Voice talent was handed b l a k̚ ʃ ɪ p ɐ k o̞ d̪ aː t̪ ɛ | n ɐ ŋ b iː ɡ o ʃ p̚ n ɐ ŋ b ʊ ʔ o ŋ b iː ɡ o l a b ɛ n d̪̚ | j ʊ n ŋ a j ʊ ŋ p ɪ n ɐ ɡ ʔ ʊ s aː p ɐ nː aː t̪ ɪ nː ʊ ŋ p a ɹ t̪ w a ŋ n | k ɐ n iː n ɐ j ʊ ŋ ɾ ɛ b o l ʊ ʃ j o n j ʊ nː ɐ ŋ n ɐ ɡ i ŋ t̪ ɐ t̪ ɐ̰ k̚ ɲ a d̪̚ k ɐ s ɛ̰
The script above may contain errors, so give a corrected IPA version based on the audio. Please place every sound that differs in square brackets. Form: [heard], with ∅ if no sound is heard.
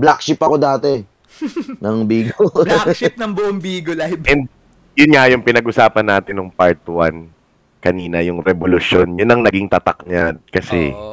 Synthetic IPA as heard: b l a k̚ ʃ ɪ p ɐ k o̞ d̪ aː t̪ ɛ | n ɐ ŋ b iː ɡ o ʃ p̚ n ɐ ŋ b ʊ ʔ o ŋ b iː ɡ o l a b ɛ n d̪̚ | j ʊ n ŋ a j ʊ ŋ p ɪ n ɐ ɡ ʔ ʊ s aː p ɐ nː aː t̪ ɪ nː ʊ ŋ p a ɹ t̪ w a [∅] n | k ɐ n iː n ɐ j ʊ ŋ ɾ ɛ b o l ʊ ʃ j o n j ʊ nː ɐ ŋ n ɐ ɡ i ŋ t̪ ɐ t̪ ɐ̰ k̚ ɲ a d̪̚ k ɐ s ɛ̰